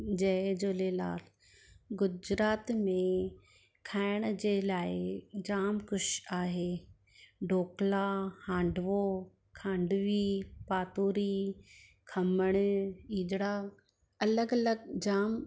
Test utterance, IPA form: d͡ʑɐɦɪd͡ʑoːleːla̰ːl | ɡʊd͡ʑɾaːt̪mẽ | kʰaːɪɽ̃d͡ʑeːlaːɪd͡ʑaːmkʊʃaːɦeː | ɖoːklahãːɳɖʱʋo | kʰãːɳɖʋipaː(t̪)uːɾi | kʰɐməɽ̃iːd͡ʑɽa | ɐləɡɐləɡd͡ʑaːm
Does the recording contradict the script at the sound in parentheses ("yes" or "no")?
no